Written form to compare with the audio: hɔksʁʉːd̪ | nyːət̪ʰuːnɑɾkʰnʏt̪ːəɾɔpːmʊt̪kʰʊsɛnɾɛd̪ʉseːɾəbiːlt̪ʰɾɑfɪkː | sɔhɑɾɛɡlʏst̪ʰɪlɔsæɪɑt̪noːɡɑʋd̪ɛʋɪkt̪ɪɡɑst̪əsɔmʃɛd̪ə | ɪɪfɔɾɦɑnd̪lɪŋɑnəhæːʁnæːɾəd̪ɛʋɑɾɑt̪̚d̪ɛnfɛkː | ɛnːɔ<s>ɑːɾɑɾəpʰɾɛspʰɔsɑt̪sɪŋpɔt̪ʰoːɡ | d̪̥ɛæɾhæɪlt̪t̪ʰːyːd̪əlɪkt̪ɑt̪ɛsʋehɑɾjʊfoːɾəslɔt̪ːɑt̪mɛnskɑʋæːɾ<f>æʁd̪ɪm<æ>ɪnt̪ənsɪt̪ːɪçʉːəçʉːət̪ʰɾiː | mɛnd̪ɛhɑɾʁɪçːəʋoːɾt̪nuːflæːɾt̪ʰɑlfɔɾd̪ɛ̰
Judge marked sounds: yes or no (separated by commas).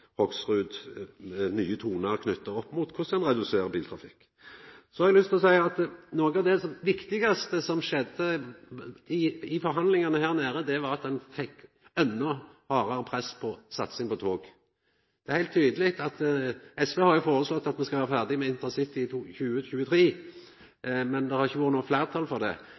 no, yes, no